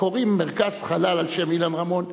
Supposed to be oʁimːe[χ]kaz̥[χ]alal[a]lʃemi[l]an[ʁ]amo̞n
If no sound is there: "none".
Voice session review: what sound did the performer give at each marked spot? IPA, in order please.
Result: ʁ, χ, a, l, ʁ

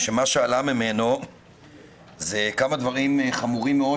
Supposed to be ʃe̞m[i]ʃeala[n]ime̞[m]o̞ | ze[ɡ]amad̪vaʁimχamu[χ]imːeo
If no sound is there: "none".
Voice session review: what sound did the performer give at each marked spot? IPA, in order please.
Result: a, m, n, k, ʁ

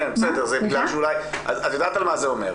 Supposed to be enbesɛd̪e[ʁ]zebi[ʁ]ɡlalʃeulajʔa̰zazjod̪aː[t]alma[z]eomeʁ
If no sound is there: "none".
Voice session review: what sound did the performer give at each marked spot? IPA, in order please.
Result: ʁ, none, t, z

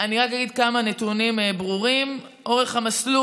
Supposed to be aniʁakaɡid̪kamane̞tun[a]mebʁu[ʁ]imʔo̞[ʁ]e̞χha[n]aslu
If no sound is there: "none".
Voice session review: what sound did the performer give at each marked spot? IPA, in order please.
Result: i, ʁ, ʁ, m

